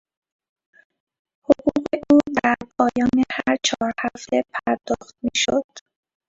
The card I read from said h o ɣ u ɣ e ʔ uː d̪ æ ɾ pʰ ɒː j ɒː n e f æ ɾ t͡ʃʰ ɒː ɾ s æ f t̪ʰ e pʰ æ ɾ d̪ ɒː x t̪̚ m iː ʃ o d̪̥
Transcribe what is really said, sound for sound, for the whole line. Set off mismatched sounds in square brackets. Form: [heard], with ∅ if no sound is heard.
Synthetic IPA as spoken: h o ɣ u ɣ e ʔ uː d̪ æ ɾ pʰ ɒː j ɒː n e [h] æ ɾ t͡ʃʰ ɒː ɾ [h] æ f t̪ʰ e pʰ æ ɾ d̪ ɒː x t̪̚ m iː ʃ o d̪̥